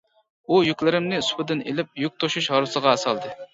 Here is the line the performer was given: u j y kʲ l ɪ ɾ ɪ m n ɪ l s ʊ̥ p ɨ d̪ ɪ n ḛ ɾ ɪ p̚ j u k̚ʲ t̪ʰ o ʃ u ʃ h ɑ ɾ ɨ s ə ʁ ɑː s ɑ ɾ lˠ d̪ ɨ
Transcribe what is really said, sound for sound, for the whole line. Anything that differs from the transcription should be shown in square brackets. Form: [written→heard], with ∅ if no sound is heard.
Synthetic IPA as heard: u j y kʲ l ɪ ɾ ɪ m n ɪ [l→∅] s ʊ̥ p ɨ d̪ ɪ n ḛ [ɾ→l] ɪ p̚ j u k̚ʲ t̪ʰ o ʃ u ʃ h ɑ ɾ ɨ s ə ʁ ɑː s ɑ [ɾ→∅] lˠ d̪ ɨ